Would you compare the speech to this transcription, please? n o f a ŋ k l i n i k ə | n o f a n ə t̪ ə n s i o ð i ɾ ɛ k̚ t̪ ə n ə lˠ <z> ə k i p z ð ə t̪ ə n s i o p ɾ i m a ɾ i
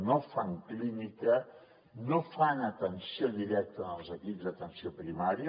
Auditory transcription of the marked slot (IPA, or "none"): z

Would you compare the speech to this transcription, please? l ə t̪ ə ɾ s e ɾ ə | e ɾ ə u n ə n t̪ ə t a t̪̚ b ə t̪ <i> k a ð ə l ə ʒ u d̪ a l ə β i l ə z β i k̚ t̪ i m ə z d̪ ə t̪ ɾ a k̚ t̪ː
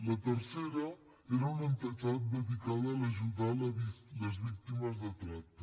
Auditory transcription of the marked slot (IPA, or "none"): i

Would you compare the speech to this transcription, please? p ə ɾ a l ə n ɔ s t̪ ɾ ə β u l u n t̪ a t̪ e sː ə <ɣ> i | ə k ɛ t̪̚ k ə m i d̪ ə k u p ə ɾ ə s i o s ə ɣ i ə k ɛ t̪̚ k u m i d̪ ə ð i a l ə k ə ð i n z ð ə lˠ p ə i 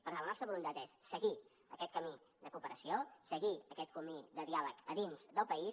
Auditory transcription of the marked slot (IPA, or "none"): ɣ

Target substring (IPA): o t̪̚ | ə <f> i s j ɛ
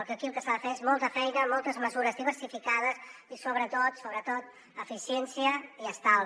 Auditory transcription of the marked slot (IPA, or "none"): f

